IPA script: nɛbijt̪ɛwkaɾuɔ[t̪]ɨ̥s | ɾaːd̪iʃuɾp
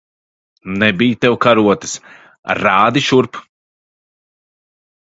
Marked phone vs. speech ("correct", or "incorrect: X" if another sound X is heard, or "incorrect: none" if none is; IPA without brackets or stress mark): correct